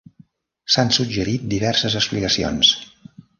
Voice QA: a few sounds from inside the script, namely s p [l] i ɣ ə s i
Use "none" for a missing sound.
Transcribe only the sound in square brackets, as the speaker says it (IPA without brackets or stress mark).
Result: l